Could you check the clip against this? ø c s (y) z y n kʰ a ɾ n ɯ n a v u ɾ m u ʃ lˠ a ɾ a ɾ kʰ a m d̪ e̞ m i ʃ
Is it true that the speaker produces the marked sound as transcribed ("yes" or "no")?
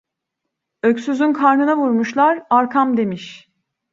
yes